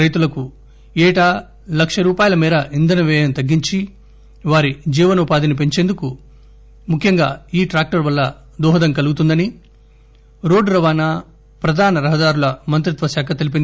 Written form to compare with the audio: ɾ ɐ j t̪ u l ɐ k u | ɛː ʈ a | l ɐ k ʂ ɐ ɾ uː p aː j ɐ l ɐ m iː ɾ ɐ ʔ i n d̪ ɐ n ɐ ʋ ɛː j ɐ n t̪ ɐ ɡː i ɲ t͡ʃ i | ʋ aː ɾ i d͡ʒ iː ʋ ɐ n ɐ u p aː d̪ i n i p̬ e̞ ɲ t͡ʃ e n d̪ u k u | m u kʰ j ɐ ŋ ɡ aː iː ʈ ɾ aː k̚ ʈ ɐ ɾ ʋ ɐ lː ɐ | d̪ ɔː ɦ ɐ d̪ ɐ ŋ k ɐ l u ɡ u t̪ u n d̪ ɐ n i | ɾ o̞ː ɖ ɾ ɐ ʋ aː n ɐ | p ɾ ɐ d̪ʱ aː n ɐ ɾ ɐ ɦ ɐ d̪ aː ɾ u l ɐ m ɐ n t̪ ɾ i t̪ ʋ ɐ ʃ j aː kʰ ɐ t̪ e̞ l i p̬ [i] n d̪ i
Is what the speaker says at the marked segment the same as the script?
yes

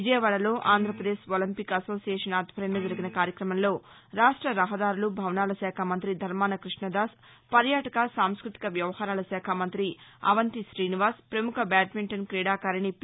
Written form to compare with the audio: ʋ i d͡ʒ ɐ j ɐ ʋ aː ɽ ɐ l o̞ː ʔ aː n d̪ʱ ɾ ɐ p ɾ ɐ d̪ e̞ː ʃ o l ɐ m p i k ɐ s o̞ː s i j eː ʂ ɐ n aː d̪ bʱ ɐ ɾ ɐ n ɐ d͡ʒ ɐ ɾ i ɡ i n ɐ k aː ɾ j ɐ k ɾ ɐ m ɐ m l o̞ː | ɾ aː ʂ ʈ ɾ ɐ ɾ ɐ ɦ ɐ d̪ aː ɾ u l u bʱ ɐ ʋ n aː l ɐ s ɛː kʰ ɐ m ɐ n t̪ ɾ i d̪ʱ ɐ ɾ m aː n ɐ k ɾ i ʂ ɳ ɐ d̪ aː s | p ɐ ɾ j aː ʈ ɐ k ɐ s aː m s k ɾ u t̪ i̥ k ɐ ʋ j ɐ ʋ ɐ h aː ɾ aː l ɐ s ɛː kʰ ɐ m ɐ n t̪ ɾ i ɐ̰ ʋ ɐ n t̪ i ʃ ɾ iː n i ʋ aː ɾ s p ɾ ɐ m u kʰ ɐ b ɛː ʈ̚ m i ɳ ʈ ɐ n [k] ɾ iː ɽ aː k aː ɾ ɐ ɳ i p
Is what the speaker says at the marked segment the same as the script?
yes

